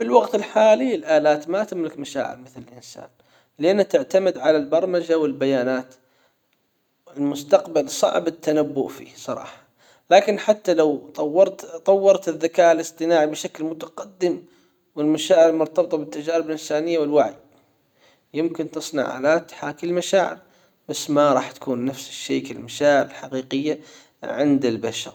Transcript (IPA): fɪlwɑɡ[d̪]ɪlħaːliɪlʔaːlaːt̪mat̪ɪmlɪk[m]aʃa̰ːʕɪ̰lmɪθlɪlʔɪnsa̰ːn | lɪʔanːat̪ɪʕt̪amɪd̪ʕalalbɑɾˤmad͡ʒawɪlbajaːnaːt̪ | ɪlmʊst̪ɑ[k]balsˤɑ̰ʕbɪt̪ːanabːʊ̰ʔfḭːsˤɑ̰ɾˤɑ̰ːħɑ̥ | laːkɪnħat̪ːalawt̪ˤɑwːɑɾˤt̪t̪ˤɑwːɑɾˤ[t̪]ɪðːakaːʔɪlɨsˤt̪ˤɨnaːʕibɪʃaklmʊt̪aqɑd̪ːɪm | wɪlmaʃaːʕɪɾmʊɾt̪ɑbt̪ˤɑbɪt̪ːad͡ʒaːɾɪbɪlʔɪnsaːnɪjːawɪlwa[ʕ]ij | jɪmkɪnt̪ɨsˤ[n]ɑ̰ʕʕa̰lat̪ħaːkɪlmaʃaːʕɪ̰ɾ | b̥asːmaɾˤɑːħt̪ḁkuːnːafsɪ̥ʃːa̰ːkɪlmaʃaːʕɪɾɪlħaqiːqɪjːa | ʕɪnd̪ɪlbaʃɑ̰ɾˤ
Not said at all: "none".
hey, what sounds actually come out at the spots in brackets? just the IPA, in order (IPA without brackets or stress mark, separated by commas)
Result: t̪, m, q, t̪, ʕ, n